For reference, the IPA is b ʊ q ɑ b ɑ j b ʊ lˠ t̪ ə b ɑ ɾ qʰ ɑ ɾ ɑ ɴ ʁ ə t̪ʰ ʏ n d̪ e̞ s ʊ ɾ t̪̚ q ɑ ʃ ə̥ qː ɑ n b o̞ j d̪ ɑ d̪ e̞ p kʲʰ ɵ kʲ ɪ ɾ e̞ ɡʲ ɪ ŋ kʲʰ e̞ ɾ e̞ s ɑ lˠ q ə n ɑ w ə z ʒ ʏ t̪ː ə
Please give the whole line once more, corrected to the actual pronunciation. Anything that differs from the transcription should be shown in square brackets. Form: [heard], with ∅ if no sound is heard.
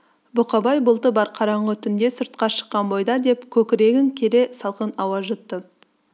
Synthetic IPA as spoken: b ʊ q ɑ b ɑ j b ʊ lˠ t̪ ə b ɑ ɾ qʰ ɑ ɾ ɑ ɴ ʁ ə t̪ʰ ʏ n d̪ e̞ s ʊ ɾ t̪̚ q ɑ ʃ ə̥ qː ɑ n b o̞ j d̪ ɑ d̪ e̞ p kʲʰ ɵ kʲ ɪ ɾ e̞ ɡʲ ɪ ŋ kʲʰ e̞ ɾ e̞ s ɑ lˠ q ə n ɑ w [ɑ] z ʒ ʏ t̪ː ə